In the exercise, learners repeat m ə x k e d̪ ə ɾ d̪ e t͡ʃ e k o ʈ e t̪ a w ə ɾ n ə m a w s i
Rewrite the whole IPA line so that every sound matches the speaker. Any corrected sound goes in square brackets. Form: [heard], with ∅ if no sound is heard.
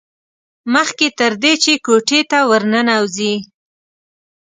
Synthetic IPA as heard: m ə x k e [t̪] ə ɾ d̪ e t͡ʃ e k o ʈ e t̪ a w ə ɾ n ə [n] a w [z] i